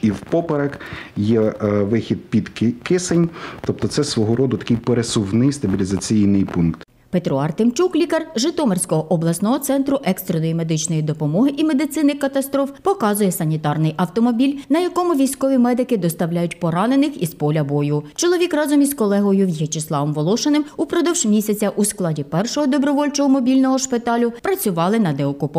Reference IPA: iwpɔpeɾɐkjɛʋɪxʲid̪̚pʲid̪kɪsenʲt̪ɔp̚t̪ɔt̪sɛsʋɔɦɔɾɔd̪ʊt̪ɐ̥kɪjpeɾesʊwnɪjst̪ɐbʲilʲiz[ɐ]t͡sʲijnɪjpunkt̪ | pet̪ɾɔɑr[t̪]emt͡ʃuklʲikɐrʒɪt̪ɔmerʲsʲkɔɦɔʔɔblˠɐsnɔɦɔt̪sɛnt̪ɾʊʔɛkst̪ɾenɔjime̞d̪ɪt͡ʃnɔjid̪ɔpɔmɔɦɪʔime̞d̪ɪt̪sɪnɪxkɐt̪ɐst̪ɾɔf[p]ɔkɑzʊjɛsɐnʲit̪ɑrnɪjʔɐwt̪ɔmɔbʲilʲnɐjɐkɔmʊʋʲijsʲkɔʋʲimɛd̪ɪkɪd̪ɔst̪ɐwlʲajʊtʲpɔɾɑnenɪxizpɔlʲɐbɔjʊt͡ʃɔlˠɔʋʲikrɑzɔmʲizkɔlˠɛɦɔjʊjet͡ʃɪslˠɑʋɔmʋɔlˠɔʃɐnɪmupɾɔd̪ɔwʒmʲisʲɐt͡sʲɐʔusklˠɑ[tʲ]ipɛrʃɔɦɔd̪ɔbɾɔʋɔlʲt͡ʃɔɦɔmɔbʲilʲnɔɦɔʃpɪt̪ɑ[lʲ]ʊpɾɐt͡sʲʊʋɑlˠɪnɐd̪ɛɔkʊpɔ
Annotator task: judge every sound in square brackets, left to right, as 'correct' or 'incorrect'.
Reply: correct, correct, correct, incorrect: dʲ, correct

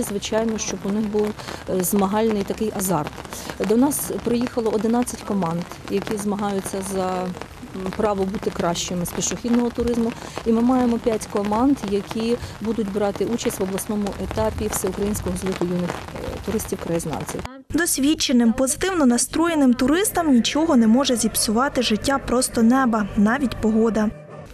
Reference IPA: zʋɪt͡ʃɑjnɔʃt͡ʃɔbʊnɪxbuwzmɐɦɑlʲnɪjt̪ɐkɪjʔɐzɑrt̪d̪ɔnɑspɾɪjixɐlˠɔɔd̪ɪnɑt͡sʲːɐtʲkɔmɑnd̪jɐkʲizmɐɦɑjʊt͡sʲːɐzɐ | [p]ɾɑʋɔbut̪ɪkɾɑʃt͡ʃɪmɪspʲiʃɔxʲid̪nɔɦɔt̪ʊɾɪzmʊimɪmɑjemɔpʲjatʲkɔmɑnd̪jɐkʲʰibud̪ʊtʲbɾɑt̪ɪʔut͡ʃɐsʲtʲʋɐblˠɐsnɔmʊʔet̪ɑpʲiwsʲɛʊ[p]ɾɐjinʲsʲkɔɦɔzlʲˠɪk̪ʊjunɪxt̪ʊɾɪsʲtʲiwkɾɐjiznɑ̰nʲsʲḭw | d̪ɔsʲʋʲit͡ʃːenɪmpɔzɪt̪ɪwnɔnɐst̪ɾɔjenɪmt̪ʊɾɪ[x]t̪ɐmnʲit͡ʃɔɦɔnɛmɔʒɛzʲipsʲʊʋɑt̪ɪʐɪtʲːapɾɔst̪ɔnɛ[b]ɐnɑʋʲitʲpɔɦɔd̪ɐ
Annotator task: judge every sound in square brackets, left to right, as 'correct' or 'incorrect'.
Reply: correct, incorrect: k, incorrect: s, correct

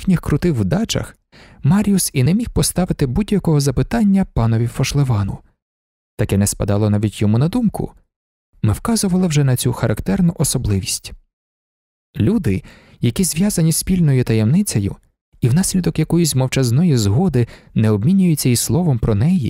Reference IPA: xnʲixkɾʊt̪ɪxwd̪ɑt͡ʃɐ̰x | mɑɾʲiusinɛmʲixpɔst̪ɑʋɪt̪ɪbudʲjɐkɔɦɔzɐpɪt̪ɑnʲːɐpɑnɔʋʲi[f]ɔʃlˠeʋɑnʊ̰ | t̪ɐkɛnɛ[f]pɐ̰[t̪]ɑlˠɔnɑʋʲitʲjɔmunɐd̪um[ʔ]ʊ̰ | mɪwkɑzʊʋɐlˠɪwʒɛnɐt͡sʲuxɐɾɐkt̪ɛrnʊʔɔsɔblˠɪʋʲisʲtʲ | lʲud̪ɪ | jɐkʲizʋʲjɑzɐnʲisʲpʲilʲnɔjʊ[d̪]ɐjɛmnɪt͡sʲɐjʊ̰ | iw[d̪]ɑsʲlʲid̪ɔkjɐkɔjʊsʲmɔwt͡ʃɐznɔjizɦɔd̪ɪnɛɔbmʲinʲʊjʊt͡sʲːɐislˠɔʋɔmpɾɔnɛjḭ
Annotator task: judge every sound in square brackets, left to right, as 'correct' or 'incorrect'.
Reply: correct, incorrect: s, incorrect: d̪, incorrect: k, incorrect: t̪, incorrect: n̪

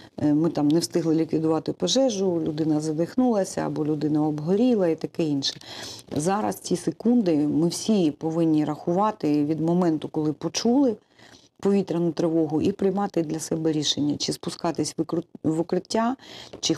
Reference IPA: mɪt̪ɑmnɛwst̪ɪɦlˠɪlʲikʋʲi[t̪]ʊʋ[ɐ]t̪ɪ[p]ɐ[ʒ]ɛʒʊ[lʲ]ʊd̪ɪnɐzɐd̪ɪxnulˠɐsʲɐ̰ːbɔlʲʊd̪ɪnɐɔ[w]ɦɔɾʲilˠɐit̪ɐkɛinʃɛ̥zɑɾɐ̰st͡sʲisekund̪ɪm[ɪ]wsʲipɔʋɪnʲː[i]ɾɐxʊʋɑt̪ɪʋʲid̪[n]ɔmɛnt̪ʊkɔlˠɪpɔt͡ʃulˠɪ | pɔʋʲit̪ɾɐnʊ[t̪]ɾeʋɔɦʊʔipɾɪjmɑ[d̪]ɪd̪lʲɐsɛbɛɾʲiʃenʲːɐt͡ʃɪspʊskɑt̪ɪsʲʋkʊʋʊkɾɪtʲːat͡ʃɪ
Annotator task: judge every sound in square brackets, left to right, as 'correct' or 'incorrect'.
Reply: incorrect: d̪, incorrect: ɑ, correct, correct, correct, incorrect: b, correct, correct, incorrect: m, correct, incorrect: t̪

